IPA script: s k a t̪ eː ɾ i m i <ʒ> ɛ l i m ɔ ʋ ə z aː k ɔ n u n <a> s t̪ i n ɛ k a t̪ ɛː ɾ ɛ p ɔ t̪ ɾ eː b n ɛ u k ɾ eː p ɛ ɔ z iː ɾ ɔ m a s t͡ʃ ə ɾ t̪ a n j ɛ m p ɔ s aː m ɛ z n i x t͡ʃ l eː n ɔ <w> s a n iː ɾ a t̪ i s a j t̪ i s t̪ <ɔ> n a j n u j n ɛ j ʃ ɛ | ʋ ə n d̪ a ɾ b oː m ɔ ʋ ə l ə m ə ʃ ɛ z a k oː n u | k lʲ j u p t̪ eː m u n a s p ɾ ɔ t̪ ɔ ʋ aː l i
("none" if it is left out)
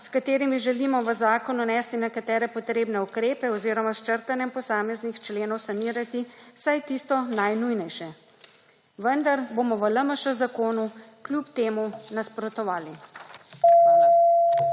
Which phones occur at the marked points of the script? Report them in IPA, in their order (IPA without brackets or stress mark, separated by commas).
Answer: ʒ, ɛ, w, ɔ